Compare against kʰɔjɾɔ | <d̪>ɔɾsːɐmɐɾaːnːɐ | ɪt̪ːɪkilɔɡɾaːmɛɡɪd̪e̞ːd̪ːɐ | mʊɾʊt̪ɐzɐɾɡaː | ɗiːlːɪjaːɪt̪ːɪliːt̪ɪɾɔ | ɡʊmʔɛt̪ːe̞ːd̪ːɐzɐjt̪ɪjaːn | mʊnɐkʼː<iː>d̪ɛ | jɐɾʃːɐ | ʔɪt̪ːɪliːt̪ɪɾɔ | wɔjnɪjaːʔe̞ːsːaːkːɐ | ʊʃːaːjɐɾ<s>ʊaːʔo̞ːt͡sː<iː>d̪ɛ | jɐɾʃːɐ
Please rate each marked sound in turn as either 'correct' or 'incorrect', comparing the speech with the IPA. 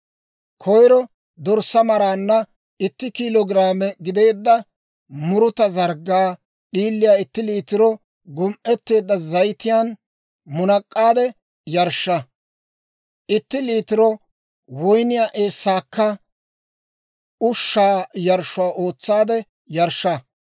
correct, incorrect, incorrect, incorrect

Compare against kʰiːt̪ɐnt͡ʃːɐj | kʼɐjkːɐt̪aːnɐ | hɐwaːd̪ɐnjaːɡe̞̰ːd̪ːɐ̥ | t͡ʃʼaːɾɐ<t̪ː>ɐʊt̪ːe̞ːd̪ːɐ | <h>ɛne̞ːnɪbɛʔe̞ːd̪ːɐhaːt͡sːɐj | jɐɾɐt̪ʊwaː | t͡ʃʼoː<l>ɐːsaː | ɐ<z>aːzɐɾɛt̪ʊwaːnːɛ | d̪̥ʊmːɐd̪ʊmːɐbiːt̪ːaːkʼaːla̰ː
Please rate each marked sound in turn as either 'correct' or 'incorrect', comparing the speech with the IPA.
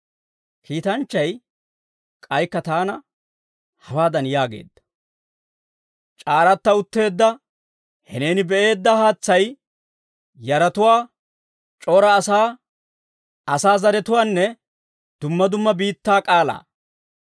correct, correct, incorrect, incorrect

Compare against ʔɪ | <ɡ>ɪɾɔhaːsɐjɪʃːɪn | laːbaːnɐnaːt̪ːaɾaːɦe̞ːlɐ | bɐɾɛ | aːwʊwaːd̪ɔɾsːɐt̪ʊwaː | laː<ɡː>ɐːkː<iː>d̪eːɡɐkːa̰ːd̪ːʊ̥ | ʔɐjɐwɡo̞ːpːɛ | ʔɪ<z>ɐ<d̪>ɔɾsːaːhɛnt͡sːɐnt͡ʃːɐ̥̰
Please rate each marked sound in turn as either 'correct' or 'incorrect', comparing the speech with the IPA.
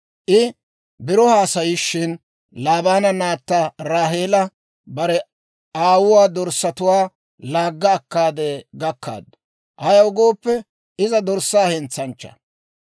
incorrect, correct, incorrect, correct, correct

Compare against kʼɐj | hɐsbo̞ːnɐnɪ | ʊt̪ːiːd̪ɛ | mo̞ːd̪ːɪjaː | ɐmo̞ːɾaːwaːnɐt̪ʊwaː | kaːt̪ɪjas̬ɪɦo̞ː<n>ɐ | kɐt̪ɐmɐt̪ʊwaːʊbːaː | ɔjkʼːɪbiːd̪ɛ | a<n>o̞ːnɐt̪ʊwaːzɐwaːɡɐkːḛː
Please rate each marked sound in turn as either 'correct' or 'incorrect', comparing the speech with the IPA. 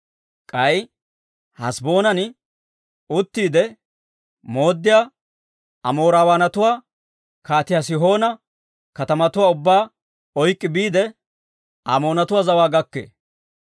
correct, incorrect

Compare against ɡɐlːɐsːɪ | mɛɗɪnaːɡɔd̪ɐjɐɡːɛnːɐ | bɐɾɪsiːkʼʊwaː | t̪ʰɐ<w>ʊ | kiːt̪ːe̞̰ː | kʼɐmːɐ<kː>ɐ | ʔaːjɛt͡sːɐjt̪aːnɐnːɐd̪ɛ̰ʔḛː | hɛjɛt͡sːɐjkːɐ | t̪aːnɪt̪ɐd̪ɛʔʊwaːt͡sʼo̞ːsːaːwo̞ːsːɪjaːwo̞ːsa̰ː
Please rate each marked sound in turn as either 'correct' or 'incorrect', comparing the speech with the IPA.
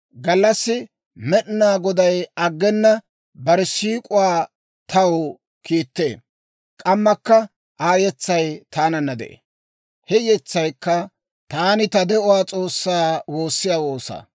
correct, correct

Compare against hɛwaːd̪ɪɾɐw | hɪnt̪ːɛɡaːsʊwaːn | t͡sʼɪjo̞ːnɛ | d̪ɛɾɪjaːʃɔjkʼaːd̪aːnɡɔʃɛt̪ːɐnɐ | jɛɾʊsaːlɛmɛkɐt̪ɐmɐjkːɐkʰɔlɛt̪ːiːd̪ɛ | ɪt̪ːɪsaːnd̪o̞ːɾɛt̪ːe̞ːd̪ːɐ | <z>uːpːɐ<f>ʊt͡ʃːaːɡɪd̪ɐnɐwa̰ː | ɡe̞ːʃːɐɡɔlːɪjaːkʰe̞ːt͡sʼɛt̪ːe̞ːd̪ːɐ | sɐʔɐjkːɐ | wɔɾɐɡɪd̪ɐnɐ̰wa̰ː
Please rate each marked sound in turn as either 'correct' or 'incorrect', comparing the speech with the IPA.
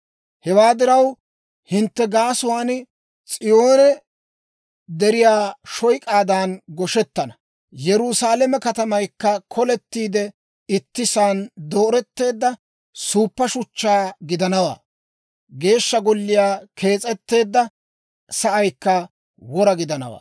incorrect, incorrect

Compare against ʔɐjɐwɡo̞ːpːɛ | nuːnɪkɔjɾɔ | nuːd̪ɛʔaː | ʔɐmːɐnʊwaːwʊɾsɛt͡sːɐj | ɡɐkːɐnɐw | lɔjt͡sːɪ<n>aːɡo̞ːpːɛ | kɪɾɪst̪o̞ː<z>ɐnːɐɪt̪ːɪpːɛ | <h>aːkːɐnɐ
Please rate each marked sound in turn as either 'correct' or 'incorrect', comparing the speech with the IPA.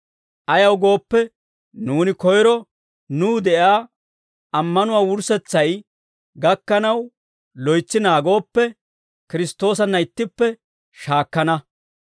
correct, incorrect, incorrect

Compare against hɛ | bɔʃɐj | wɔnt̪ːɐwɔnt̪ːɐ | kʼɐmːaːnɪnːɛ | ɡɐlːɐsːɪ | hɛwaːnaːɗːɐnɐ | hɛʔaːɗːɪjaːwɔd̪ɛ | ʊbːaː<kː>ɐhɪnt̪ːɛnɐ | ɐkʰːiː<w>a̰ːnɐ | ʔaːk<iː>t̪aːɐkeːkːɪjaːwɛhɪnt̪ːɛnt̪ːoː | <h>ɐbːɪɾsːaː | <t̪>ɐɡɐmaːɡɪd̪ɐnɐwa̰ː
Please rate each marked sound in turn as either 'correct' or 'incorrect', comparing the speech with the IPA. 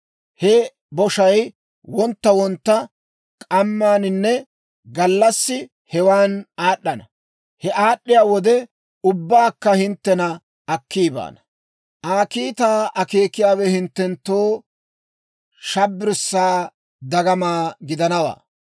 correct, incorrect, correct, incorrect, incorrect

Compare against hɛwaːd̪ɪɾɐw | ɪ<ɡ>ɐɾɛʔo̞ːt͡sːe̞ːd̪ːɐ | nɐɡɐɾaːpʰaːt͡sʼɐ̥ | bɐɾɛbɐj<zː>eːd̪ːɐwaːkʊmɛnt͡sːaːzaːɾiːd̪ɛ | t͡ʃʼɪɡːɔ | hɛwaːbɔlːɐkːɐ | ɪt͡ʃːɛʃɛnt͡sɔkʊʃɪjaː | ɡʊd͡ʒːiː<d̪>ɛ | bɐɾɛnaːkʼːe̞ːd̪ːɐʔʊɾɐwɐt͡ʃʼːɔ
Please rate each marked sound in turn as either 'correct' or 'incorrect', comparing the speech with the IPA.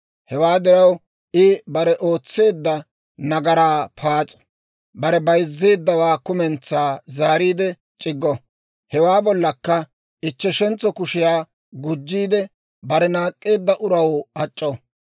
incorrect, correct, correct

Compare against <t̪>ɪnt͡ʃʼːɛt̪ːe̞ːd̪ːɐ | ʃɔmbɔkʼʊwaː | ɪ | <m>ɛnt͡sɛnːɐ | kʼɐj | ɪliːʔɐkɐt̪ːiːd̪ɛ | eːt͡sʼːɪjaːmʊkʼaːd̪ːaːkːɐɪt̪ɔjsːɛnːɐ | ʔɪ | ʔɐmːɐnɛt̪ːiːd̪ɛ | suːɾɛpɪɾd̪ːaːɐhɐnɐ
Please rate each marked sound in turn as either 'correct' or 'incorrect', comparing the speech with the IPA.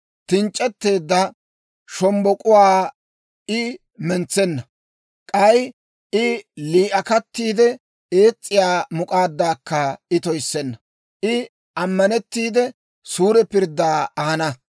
correct, correct

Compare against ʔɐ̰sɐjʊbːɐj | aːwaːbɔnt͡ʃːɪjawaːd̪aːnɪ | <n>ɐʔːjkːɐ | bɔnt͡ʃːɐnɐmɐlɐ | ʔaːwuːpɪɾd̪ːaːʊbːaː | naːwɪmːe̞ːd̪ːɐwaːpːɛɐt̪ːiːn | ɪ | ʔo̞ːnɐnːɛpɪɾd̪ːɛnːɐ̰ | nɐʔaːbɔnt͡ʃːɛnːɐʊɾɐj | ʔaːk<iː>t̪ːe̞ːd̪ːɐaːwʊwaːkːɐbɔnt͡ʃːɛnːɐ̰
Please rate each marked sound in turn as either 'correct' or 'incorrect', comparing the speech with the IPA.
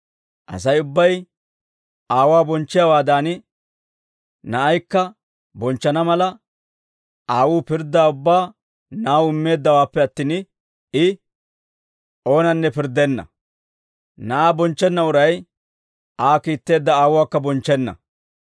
correct, correct

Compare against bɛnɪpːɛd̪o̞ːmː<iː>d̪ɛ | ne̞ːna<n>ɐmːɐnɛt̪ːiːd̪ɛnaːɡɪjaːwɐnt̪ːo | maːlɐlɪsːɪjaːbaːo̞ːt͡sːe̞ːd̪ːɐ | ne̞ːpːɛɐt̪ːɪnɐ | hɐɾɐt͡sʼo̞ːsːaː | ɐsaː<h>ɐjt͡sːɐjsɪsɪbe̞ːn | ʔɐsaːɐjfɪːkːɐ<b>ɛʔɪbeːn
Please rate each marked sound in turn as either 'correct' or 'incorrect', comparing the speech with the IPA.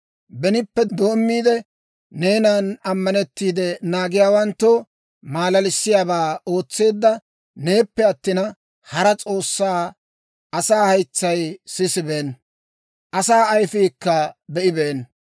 correct, correct, correct, correct

